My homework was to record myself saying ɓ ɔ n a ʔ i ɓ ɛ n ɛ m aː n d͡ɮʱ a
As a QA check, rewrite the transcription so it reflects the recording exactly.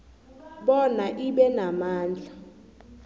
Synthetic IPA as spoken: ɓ ɔ n a ʔ i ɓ ɛ n a m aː n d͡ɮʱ a